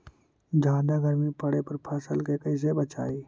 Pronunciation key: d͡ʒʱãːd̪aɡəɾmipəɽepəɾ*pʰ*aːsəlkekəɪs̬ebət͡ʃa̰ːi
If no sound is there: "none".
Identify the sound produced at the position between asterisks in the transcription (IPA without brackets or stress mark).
pʰ